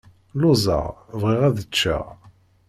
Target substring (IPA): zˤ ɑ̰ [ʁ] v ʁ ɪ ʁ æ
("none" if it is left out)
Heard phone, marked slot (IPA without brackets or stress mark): ʁ